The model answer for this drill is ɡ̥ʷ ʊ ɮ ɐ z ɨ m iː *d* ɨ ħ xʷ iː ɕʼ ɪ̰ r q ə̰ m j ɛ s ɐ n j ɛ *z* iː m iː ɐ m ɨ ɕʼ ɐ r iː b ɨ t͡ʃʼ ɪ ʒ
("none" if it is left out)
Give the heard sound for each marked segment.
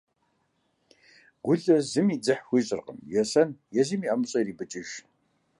d͡z, z

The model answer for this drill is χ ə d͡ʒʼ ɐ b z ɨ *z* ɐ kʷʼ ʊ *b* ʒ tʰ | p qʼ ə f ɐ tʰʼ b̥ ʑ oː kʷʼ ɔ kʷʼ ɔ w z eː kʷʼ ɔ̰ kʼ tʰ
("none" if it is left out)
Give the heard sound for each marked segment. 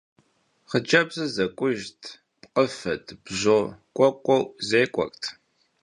z, none

